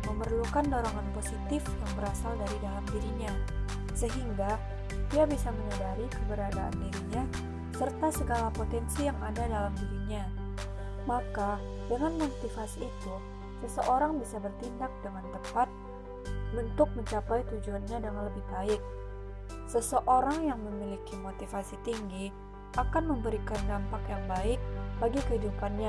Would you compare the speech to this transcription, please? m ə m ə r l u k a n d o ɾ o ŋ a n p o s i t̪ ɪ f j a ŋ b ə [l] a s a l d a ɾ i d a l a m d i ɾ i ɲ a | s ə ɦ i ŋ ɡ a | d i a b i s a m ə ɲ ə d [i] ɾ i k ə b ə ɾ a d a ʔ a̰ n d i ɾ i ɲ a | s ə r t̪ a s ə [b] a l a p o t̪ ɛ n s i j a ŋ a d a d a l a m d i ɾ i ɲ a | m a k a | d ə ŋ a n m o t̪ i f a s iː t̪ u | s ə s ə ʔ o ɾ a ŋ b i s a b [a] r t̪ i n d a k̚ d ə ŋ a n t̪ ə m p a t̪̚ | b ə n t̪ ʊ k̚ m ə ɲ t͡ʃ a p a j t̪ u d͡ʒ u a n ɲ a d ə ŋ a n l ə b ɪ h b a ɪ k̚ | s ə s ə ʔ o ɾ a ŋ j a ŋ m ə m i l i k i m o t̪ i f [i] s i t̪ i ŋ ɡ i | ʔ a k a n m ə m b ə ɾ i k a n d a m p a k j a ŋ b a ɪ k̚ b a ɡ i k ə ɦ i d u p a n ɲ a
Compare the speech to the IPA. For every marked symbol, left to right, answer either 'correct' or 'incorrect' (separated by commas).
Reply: incorrect, incorrect, incorrect, incorrect, incorrect